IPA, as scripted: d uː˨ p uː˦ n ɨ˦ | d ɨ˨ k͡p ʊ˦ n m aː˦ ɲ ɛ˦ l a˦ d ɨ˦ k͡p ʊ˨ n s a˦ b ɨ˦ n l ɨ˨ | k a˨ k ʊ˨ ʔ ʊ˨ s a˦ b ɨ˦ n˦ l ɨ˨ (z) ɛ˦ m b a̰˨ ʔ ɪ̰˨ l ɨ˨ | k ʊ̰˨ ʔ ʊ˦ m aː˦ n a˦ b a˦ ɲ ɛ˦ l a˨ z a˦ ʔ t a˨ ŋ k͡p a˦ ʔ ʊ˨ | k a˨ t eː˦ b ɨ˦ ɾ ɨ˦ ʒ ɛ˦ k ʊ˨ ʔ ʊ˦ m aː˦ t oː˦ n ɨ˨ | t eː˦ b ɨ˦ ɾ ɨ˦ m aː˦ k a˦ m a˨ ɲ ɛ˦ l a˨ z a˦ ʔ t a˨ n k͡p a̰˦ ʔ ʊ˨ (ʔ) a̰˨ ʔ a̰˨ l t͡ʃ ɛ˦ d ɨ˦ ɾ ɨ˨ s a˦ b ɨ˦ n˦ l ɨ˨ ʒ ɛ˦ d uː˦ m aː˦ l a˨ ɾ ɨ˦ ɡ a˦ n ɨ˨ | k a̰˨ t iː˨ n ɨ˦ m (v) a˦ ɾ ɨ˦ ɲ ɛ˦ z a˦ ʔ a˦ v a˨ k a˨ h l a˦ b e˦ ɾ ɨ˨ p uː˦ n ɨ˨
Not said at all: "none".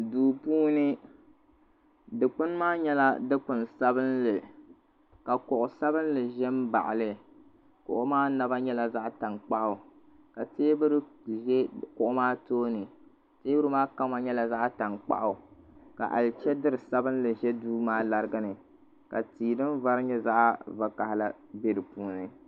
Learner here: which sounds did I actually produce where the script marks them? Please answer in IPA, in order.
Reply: ʒ, k, v

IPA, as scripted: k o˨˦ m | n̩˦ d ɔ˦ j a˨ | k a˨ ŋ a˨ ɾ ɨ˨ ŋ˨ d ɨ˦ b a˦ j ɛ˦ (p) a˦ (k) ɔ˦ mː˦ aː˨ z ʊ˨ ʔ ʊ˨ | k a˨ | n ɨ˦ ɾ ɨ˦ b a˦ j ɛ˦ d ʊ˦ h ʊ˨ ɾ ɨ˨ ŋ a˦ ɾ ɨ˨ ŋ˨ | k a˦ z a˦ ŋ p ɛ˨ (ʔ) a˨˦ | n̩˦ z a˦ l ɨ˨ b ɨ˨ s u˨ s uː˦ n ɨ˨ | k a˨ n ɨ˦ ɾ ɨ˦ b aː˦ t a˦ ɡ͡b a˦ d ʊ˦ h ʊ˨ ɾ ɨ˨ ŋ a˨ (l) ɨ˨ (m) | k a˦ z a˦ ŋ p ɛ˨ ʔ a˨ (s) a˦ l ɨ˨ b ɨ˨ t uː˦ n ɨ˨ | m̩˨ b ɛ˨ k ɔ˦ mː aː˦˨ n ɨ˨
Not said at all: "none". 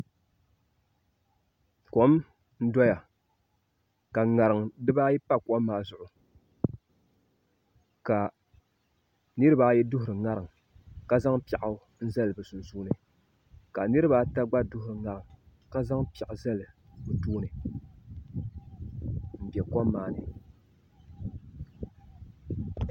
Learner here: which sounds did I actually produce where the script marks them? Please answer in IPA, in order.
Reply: p, k, ʔ, ɾ, ŋ, z

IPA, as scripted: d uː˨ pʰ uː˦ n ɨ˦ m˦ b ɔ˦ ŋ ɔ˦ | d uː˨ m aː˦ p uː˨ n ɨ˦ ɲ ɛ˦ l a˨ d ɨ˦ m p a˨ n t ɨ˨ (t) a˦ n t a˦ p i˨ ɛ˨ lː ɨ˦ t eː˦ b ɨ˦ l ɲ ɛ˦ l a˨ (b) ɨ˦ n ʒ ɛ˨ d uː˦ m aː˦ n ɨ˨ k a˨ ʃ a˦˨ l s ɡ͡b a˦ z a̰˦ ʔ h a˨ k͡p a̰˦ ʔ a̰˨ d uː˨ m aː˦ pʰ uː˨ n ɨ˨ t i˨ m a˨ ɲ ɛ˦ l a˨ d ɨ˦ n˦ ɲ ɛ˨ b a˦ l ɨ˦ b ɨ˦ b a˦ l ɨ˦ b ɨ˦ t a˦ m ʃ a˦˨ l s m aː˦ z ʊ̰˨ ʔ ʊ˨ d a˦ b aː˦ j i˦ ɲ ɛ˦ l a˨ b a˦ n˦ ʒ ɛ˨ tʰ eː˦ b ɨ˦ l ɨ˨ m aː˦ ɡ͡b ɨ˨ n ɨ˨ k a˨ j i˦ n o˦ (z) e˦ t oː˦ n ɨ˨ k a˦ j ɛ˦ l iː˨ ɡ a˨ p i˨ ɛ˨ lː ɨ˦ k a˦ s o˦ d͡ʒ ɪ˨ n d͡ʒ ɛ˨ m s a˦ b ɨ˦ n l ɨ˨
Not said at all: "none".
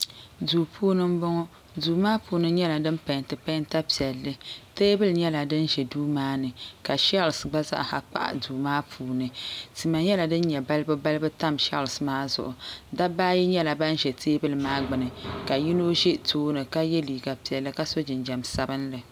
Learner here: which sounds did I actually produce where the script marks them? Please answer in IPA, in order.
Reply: p, d, ʒ

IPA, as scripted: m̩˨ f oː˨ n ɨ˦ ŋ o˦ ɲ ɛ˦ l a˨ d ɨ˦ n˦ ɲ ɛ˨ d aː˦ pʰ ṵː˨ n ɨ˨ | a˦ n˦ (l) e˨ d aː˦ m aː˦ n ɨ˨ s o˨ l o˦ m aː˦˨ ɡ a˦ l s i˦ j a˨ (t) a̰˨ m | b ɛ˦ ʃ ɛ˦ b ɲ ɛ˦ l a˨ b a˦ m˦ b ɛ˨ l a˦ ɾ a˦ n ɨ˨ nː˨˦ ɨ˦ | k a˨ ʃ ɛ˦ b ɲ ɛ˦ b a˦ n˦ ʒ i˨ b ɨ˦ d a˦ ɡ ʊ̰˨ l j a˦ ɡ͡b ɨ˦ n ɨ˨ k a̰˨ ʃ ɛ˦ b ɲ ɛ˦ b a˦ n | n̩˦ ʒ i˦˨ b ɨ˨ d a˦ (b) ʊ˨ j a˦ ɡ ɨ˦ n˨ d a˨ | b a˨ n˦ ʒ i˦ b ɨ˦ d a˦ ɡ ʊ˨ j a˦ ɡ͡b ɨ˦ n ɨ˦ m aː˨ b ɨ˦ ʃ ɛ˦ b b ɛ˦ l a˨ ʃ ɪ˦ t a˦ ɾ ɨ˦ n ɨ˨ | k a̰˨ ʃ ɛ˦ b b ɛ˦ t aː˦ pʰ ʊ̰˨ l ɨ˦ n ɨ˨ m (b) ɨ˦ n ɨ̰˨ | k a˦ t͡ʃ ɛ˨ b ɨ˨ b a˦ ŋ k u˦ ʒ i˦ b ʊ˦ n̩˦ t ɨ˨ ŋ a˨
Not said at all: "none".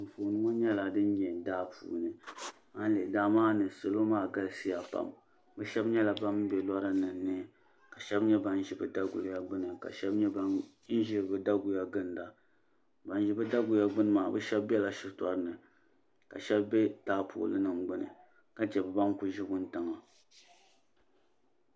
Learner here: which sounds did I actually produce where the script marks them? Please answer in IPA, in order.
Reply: l, p, ɡ, ɡ͡b

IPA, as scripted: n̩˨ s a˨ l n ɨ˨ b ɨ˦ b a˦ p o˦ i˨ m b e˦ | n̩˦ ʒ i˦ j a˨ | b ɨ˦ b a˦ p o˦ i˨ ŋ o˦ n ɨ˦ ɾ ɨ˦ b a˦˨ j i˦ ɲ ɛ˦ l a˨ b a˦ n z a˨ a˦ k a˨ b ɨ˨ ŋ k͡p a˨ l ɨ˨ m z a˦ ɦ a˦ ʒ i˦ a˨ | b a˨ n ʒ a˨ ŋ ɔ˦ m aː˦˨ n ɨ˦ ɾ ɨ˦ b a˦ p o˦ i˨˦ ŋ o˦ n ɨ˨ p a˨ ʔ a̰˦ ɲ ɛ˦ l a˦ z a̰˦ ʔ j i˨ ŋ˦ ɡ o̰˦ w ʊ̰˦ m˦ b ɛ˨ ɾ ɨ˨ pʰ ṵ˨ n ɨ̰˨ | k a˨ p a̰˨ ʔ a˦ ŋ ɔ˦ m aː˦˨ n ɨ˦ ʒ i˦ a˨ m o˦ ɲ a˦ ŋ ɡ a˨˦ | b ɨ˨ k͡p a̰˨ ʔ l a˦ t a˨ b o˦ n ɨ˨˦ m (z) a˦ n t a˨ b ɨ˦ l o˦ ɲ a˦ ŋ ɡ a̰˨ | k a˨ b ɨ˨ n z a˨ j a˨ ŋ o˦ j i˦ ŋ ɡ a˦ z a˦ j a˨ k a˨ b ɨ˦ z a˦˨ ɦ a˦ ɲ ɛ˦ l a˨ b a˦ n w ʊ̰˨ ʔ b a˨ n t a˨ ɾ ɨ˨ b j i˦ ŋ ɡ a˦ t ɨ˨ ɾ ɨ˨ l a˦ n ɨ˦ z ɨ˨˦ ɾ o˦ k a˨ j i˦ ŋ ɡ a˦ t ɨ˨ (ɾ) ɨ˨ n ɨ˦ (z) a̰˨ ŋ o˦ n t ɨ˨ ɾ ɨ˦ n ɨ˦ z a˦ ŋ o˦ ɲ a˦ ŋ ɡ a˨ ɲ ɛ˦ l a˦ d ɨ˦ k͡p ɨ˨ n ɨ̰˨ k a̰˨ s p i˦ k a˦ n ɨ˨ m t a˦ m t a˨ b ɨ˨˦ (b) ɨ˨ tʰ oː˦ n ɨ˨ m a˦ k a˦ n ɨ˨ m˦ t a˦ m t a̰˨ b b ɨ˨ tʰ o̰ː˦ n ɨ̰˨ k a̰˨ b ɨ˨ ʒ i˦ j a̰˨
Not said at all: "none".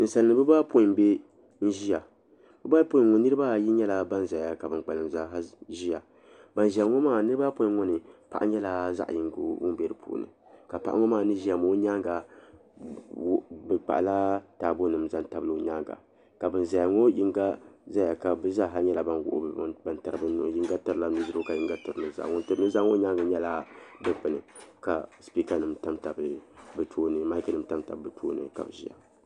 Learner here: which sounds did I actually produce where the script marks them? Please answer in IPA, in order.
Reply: z, ɾ, z, b

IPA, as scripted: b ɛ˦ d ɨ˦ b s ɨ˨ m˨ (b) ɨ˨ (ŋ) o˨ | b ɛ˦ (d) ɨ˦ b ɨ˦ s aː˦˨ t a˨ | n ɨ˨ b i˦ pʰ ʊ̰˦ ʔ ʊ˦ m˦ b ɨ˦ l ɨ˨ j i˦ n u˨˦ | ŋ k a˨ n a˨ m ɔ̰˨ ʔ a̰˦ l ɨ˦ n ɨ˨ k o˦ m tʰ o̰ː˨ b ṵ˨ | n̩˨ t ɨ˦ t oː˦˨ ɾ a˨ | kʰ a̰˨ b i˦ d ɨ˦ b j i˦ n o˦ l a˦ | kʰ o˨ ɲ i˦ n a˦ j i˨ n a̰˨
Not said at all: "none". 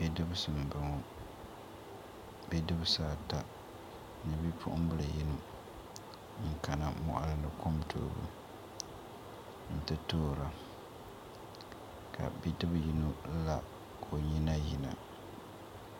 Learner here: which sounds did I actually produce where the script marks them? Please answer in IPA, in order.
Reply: b, ŋ, d

